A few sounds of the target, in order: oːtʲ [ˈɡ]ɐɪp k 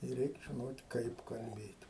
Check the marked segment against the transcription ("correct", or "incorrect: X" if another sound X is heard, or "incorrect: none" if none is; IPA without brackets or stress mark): incorrect: k